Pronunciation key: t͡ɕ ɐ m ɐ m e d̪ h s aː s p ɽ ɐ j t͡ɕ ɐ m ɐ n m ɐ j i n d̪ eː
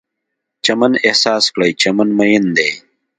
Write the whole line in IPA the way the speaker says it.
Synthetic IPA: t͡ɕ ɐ m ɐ n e h s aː s k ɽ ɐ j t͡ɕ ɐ m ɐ n m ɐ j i n d̪ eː